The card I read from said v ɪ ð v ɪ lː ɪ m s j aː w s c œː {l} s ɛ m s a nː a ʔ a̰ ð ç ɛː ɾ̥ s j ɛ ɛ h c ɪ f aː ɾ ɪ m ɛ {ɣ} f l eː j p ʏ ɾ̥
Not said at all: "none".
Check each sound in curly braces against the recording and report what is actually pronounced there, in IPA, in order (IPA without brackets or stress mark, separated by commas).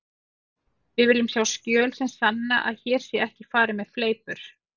l, ð